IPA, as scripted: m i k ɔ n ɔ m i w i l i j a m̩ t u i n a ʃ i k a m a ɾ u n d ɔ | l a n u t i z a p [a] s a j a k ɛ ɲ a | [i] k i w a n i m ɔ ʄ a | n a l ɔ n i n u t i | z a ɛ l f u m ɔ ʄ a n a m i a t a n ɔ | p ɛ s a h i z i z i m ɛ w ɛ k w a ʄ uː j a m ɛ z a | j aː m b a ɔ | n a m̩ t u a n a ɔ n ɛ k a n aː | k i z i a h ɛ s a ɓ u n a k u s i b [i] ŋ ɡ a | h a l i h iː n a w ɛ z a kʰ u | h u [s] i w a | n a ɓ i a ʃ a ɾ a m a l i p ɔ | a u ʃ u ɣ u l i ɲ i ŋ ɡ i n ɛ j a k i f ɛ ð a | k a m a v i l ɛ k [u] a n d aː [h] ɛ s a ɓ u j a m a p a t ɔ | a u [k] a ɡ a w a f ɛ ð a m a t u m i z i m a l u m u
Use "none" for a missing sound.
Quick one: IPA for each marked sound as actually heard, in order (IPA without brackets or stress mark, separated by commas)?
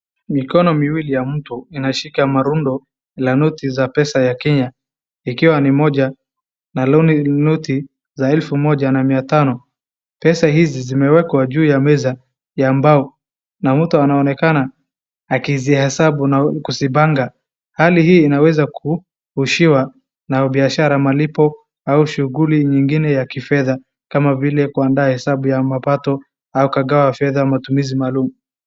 ɛ, i, a, ʃ, u, h, k